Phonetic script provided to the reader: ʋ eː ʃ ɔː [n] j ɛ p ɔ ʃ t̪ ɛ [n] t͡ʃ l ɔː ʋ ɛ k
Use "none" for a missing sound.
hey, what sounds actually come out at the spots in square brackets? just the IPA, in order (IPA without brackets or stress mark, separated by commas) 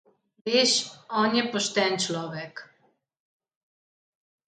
n, n